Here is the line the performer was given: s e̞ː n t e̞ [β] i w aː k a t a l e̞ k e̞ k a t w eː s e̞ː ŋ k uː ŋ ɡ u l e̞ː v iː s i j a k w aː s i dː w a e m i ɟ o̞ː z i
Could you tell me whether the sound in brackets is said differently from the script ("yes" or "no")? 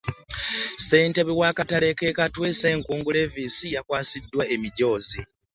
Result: no